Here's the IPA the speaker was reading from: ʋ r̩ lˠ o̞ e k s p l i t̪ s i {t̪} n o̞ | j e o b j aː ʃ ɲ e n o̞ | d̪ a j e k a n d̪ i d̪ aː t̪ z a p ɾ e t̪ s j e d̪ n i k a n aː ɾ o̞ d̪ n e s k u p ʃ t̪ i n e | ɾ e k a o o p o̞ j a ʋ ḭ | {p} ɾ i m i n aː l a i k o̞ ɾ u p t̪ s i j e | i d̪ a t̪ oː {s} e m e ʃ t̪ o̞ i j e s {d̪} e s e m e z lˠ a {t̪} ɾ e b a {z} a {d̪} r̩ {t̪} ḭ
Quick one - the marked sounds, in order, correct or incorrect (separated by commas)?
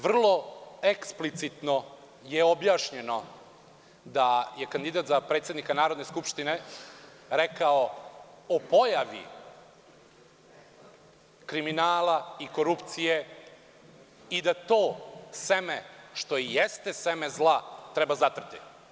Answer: correct, incorrect, correct, incorrect, correct, correct, incorrect, correct